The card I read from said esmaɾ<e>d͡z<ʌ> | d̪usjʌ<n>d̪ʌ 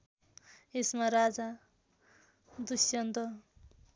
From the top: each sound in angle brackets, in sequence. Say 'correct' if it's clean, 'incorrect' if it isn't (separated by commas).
incorrect, incorrect, correct